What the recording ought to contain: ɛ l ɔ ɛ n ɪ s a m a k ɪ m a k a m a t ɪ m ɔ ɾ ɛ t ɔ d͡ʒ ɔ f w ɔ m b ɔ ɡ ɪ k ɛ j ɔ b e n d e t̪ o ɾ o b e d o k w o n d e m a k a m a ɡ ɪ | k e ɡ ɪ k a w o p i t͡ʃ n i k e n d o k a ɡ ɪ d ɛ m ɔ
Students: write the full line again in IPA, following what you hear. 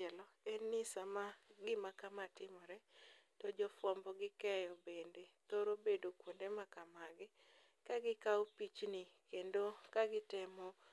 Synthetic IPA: ɛ l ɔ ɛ n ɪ s a m a ɡ ɪ m a k a m a t ɪ m ɔ ɾ ɛ t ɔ d͡ʒ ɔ f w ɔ m b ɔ ɡ ɪ k ɛ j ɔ b e n d e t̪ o ɾ o b e d o k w o n d e m a k a m a ɡ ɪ | k a ɡ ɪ k a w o p i t͡ʃ n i k e n d o k a ɡ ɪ t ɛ m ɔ